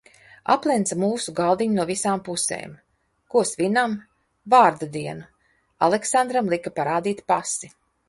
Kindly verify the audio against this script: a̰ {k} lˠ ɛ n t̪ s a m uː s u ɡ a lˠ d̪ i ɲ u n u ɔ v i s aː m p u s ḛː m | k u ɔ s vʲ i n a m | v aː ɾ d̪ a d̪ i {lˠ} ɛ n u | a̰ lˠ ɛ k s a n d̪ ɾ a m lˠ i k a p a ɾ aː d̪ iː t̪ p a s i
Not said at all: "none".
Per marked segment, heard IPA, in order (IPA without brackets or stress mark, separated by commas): p, none